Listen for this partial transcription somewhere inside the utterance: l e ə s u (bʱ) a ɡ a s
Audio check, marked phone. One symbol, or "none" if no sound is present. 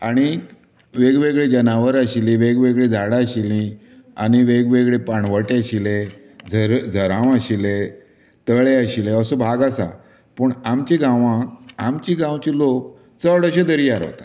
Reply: bʱ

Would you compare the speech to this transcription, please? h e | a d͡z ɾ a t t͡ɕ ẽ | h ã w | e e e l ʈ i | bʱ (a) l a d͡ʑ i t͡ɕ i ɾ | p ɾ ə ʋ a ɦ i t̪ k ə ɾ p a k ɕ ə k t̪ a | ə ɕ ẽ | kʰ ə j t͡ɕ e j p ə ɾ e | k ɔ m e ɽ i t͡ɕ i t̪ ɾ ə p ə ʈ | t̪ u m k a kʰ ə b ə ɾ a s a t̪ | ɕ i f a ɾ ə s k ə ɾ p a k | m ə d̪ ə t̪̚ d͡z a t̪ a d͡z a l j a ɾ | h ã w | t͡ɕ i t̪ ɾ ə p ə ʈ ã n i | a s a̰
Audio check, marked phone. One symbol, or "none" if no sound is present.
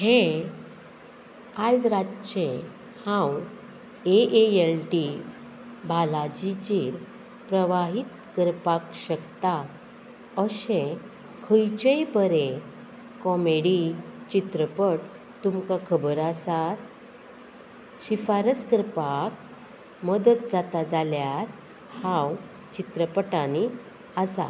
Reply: a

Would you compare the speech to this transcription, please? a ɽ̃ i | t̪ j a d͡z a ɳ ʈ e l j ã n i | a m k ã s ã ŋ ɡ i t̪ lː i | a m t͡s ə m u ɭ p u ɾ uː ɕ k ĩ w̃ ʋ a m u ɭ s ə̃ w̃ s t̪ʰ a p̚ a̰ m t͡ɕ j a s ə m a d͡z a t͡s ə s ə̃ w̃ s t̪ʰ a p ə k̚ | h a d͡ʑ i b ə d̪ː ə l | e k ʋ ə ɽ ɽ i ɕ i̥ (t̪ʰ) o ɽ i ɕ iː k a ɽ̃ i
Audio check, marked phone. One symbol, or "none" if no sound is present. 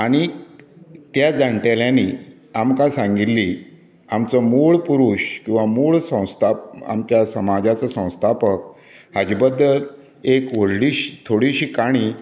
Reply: t̪ʰ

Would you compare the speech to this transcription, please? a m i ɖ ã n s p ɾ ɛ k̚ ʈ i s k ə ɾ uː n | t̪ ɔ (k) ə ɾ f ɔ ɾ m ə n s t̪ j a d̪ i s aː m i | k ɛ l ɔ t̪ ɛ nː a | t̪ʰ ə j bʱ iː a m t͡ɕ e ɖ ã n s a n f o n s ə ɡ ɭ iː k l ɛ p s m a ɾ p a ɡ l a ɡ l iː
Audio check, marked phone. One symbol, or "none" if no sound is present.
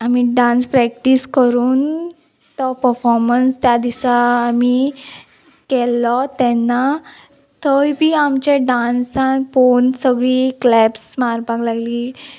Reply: p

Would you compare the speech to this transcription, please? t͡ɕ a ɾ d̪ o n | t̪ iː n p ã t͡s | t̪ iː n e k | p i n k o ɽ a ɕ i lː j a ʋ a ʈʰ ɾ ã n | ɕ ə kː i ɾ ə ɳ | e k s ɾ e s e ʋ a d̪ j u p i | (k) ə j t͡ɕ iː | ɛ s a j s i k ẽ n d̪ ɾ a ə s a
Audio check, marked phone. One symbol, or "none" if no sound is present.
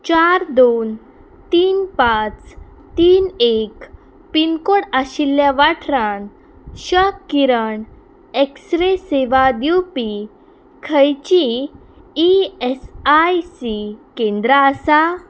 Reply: kʰ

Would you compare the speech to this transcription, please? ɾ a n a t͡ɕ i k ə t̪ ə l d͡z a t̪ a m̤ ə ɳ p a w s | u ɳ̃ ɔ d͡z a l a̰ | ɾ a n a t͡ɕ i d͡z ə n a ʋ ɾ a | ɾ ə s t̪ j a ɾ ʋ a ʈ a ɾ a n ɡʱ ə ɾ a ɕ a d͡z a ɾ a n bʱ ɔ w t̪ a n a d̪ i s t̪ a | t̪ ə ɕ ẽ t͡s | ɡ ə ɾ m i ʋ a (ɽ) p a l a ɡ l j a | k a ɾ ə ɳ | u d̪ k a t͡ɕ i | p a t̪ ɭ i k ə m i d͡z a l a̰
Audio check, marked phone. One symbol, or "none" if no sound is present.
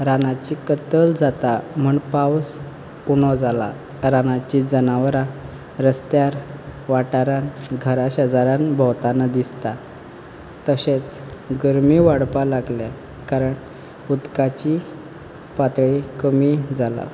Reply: ɽ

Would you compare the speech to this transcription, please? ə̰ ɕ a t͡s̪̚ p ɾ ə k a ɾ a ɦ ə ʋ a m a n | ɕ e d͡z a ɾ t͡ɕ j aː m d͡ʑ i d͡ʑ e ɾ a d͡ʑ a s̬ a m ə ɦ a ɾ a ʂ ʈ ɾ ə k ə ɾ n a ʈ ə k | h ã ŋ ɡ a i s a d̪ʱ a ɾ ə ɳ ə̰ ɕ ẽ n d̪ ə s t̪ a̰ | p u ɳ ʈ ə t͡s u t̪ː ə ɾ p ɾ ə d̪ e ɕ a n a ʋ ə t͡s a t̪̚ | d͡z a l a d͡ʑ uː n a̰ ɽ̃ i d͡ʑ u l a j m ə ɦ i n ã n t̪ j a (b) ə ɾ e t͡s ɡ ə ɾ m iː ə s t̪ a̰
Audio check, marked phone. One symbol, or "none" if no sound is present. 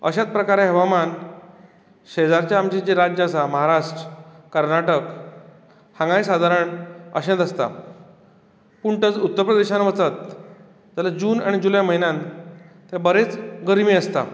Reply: b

